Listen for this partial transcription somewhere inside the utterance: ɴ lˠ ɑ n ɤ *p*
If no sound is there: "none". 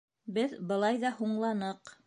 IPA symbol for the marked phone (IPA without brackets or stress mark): q